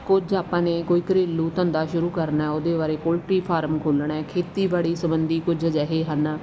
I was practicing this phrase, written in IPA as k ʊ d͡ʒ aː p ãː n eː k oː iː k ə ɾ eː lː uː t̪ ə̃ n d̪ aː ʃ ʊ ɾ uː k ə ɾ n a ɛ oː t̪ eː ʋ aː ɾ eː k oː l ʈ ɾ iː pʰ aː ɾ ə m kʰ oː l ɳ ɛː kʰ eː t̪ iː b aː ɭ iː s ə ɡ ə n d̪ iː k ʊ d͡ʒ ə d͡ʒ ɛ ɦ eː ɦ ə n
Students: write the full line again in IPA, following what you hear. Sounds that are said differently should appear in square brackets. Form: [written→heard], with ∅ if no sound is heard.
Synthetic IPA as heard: k ʊ d͡ʒ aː p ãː n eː k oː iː k ə ɾ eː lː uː t̪ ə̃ n d̪ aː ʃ ʊ ɾ uː k ə ɾ n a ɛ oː [t̪→d̪] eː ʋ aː ɾ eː k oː l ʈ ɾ iː pʰ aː ɾ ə m kʰ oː l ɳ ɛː kʰ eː t̪ iː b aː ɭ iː s ə [ɡ→b] ə n d̪ iː k ʊ d͡ʒ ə d͡ʒ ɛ ɦ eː ɦ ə n